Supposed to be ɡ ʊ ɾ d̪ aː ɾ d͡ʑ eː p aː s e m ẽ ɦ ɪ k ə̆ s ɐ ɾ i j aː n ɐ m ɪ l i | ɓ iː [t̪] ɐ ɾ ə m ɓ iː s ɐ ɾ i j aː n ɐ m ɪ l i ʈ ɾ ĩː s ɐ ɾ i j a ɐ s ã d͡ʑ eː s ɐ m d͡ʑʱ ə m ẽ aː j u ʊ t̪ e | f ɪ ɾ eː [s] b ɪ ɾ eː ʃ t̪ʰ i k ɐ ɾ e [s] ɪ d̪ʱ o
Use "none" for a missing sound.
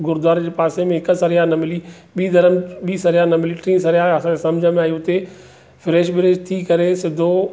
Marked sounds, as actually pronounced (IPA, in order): d̪, ʃ, s

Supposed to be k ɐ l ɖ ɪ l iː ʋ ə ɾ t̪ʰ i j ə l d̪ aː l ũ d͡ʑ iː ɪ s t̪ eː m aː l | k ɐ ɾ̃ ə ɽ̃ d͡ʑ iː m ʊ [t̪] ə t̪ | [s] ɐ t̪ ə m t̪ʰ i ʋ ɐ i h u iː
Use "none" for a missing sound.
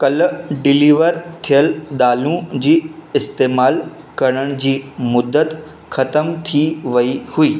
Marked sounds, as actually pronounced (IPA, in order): d̪, x

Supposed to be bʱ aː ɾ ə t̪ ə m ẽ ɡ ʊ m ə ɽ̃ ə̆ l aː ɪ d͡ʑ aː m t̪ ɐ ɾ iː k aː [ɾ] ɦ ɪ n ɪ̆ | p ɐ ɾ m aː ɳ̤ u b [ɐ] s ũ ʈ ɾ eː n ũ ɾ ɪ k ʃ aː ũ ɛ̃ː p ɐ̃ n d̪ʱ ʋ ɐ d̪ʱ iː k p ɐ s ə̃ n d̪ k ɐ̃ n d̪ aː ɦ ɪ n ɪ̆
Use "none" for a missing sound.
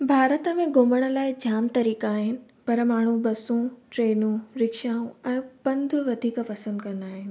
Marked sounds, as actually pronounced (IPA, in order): none, ɐ

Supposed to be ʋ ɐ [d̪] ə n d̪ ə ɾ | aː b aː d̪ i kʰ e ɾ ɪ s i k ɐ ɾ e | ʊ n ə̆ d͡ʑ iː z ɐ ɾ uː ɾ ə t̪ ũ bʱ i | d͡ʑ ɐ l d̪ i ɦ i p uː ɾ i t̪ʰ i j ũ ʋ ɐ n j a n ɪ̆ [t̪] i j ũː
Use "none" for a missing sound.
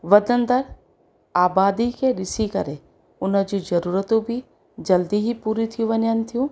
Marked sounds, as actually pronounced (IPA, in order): d̪, t̪ʰ

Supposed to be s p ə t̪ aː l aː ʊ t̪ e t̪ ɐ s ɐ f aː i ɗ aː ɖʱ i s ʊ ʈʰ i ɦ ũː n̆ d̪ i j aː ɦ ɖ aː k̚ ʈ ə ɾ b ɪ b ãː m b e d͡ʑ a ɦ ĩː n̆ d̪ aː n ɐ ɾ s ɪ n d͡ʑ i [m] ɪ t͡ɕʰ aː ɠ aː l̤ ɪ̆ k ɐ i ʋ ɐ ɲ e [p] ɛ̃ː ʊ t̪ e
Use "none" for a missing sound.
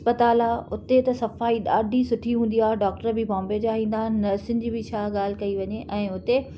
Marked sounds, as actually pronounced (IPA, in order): b, ʔ

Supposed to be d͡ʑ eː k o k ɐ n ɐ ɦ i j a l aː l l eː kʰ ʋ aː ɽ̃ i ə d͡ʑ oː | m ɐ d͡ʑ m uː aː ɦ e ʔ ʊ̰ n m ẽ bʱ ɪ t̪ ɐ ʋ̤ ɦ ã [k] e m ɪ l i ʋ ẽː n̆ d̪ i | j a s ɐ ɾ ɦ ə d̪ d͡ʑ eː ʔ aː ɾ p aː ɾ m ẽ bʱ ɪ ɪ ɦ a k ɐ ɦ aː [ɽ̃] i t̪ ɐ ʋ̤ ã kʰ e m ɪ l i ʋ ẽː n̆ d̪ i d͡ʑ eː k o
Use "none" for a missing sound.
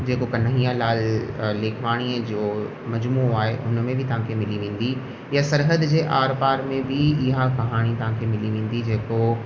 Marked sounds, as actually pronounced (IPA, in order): kʰ, ɽ̃

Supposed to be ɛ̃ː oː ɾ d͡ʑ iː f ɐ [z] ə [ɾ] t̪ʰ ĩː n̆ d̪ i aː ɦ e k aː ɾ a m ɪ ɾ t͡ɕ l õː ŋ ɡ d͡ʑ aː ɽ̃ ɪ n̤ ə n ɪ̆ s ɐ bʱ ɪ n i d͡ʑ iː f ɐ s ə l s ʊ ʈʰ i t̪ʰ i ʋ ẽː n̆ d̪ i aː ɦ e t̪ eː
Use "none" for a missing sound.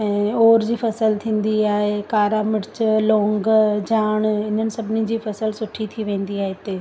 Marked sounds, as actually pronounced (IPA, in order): s, l

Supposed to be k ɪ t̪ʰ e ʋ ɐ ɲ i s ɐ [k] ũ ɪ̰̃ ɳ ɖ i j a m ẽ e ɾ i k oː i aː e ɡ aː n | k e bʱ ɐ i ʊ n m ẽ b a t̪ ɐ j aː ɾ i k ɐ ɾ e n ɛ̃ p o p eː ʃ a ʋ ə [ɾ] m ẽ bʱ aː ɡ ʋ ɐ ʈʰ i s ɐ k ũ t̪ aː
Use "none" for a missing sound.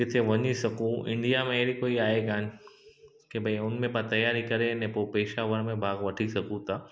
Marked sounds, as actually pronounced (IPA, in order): k, ɾ

